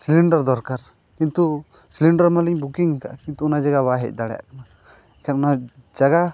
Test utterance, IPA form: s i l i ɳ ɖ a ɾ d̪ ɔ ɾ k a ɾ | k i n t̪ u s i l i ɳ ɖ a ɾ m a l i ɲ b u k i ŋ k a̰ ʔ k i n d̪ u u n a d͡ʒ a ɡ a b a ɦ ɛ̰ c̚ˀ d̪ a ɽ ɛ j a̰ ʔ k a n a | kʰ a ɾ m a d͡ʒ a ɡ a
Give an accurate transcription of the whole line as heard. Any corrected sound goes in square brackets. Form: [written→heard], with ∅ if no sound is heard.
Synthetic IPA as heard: s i l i ɳ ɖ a ɾ d̪ ɔ ɾ k a ɾ | k i n t̪ u s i l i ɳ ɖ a ɾ m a l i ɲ b u k i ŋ k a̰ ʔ k i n [d̪→t̪] u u n a d͡ʒ a ɡ a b a ɦ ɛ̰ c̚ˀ d̪ a ɽ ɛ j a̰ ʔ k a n a | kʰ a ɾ [m→n] a d͡ʒ a ɡ a